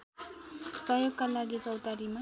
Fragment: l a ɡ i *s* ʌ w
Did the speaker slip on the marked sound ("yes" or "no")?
yes